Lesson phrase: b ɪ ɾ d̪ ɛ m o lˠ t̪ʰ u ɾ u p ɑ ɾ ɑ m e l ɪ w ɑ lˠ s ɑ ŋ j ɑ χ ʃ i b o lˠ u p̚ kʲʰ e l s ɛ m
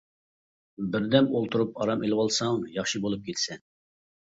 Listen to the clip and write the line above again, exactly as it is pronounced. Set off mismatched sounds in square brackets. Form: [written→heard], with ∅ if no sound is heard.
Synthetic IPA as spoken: b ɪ ɾ d̪ ɛ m o lˠ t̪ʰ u ɾ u p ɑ ɾ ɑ m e l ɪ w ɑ lˠ s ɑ ŋ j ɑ χ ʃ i b o lˠ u p̚ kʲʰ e l s ɛ [m→n]